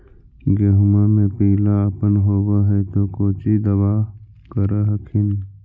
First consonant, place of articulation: velar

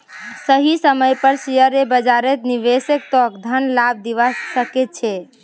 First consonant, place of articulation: alveolar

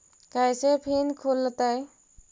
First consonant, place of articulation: velar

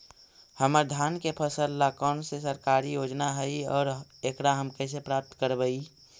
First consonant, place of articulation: glottal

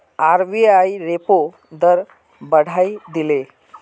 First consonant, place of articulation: alveolar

